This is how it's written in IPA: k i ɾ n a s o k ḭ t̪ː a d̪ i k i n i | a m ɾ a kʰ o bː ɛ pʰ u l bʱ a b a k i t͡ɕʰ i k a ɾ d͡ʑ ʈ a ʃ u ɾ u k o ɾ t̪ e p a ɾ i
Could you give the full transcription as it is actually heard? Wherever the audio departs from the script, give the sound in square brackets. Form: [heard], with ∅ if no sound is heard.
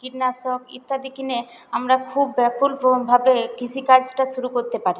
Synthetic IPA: k i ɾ n a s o k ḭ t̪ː a d̪ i k i n [e] | a m ɾ a kʰ [u] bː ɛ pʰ u l bʱ a b [e] k i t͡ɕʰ i k a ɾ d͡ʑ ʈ a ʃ u ɾ u k o ɾ t̪ e p a ɾ i